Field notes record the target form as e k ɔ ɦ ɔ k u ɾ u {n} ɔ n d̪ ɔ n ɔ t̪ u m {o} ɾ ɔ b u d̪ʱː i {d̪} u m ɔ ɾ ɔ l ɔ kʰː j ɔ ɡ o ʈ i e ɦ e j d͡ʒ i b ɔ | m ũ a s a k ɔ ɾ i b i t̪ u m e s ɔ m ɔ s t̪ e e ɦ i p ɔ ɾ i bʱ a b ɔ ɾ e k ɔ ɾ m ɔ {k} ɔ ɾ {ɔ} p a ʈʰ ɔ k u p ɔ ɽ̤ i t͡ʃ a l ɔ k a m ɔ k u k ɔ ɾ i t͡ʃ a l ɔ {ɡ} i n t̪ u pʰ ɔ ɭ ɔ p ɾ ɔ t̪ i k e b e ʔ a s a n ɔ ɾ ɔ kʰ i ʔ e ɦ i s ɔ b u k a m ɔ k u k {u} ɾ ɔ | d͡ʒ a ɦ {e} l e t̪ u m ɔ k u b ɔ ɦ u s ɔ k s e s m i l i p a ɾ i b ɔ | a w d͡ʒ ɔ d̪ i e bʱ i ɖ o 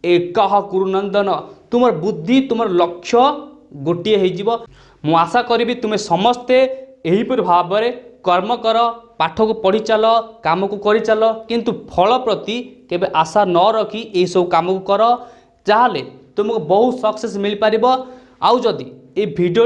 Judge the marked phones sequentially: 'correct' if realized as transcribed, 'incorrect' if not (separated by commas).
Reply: correct, incorrect, incorrect, correct, correct, incorrect, incorrect, incorrect